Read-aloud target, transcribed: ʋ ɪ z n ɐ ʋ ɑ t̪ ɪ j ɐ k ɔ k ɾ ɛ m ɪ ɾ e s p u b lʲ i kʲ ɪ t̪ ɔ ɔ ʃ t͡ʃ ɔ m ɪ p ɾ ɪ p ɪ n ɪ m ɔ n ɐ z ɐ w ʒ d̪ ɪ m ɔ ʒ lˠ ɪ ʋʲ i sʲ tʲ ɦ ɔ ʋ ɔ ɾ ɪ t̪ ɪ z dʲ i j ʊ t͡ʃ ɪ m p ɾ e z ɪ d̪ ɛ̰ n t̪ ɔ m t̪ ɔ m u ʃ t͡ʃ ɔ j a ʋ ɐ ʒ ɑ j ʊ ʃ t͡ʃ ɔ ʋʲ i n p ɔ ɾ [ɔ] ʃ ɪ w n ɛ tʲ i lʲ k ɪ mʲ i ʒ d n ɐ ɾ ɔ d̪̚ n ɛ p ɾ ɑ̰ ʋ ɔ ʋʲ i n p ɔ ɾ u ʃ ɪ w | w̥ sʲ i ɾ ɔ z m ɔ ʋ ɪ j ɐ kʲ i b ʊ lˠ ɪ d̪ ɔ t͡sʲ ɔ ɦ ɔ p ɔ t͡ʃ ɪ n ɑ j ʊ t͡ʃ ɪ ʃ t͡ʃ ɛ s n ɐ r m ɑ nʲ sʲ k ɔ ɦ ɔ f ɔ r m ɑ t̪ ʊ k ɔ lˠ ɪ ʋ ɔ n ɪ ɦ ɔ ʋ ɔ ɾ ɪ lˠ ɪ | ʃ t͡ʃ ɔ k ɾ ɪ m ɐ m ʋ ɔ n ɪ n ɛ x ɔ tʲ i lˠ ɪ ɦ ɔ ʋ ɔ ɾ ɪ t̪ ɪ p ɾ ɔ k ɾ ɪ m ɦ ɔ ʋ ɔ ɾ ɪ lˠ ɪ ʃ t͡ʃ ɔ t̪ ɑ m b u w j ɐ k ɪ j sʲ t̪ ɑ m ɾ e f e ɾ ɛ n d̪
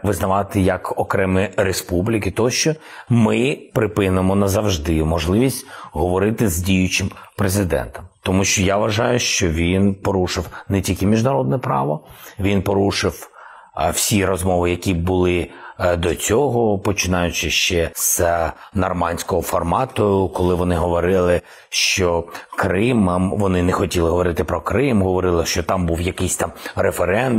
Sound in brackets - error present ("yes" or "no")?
yes